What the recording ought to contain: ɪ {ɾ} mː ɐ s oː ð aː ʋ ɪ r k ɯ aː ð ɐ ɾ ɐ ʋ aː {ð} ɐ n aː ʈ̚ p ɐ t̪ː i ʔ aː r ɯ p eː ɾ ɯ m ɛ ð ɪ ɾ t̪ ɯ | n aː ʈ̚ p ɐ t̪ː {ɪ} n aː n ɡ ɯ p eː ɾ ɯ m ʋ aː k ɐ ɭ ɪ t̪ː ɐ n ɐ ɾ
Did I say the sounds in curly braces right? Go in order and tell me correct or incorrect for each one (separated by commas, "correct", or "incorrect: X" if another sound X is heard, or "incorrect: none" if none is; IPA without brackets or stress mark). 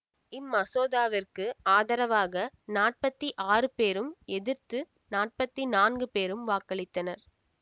incorrect: none, incorrect: ɣ, incorrect: i